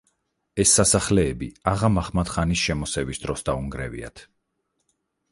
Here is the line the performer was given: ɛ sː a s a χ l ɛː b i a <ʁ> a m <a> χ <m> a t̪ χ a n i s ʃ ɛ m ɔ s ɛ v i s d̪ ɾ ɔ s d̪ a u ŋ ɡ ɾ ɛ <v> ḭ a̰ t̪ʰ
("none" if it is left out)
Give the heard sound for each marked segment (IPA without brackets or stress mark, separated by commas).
ʁ, a, m, v